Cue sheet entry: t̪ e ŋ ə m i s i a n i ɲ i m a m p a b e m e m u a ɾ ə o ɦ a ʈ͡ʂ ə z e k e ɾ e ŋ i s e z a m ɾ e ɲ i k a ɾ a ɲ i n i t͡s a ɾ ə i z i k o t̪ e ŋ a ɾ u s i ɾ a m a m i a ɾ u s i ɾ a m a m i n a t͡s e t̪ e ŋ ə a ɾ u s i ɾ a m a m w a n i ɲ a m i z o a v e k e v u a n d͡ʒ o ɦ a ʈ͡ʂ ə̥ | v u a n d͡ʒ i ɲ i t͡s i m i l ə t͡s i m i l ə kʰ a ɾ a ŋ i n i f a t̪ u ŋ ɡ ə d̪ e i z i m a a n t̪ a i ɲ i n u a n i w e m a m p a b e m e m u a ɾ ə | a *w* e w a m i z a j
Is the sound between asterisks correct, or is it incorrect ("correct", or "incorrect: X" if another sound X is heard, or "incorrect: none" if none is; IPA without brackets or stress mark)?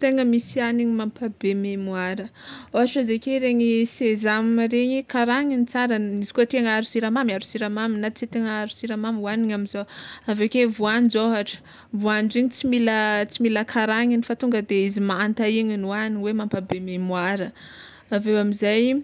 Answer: incorrect: v